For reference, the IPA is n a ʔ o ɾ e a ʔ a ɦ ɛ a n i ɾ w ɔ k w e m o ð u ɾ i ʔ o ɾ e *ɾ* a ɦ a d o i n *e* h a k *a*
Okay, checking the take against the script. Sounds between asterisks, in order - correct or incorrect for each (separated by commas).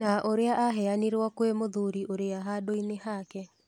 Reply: incorrect, correct, incorrect